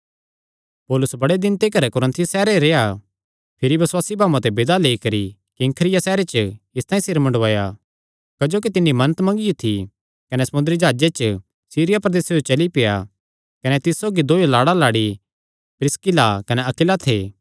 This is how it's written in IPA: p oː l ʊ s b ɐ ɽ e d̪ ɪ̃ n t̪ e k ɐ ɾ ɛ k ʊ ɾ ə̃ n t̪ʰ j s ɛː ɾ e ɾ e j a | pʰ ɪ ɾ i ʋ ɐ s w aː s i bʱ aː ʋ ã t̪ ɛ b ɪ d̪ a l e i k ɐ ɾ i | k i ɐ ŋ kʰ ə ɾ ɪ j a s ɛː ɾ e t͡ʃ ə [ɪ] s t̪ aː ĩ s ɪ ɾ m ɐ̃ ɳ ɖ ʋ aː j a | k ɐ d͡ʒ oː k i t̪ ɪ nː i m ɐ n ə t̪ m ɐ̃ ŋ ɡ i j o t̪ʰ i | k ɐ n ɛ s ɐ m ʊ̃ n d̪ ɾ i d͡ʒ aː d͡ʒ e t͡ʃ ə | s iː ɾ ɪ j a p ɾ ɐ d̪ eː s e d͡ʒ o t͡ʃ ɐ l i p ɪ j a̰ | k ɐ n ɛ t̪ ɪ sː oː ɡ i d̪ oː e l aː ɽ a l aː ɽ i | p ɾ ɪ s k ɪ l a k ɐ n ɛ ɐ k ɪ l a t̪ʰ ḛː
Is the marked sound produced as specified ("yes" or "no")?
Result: yes